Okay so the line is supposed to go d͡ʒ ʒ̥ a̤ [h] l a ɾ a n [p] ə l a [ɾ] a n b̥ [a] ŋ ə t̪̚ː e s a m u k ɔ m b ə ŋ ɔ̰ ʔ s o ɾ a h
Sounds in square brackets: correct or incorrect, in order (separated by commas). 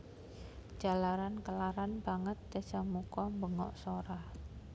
incorrect, incorrect, correct, correct